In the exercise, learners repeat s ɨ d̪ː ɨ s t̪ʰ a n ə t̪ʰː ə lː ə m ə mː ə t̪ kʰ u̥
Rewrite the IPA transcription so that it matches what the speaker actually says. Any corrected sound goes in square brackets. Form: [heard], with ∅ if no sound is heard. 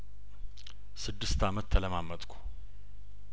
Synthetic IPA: s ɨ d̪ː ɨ s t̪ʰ a [m] ə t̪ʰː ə [l] ə m [a] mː ə [t̪ʼ] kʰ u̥